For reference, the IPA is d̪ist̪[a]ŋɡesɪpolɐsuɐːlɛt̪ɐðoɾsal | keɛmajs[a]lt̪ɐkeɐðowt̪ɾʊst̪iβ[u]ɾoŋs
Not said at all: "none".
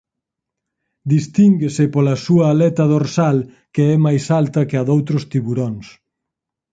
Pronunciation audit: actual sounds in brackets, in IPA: i, a, u

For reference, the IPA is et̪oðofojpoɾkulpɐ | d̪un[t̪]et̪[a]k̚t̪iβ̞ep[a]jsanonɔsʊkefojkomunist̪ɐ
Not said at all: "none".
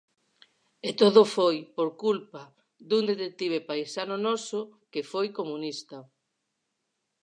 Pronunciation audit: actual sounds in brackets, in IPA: d̪, e, a

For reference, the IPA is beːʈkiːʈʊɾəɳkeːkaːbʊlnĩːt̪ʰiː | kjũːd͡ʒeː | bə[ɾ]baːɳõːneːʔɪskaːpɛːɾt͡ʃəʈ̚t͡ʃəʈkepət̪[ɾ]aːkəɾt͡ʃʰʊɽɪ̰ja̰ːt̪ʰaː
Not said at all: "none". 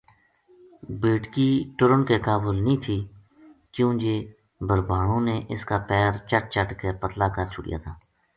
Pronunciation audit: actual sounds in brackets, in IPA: ɾ, l

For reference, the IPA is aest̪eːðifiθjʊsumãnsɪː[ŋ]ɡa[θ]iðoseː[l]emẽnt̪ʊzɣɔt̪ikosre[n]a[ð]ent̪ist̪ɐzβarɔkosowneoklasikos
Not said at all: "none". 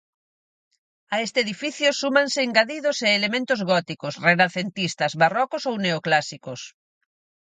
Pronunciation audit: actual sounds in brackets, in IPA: ŋ, ð, l, n, θ

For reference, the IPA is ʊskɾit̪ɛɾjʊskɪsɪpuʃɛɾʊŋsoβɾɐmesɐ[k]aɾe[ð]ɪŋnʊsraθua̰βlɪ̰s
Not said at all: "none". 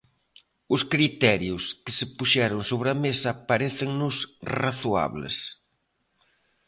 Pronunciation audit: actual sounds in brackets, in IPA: p, θ

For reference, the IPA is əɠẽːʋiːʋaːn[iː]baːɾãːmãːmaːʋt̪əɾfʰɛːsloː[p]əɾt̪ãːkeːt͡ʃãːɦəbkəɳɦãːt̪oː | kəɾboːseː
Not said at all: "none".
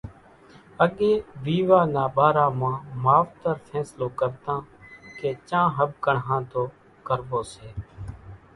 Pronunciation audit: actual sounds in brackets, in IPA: aː, k

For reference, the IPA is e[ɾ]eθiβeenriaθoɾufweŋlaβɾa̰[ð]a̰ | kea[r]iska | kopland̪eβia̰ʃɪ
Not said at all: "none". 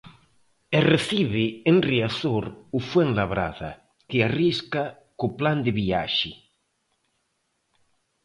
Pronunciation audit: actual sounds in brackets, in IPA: r, ð, r

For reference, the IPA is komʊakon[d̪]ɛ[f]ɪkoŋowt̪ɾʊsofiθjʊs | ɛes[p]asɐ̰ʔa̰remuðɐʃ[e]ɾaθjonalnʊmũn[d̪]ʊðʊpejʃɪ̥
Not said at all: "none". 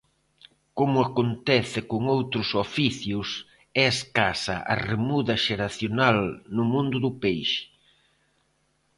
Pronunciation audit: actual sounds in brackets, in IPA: t̪, θ, k, e, d̪

